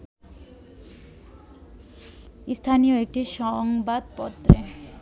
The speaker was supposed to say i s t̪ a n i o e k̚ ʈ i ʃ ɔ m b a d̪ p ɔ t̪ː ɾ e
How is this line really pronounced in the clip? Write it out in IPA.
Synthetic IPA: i s t̪ʰ a n i o e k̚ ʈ i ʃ ɔ ŋ b a d̪ p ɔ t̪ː ɾ e